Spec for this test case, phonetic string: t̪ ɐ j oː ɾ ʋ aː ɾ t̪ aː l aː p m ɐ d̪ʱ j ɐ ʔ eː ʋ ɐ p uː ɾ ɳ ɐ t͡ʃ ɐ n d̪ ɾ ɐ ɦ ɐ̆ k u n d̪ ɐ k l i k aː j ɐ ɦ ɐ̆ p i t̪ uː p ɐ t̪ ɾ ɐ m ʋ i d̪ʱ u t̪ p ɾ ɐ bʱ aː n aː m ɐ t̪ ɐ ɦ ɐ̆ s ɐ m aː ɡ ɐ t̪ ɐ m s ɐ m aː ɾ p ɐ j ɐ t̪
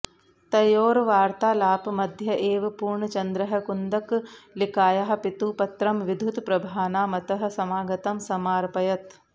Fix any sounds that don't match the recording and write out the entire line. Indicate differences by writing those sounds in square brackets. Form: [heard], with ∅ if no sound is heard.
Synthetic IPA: t̪ ɐ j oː ɾ ʋ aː ɾ t̪ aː l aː p m ɐ d̪ʱ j ɐ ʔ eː ʋ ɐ p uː ɾ ɳ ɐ t͡ʃ ɐ n d̪ ɾ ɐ ɦ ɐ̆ k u n d̪ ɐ k l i k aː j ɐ ɦ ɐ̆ p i t̪ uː p ɐ t̪ ɾ ɐ m ʋ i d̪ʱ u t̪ p ɾ ɐ bʱ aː n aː m ɐ t̪ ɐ ɦ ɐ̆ s ɐ m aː ɡ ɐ t̪ ɐ m s ɐ m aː ɾ p ɐ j ɐ t̪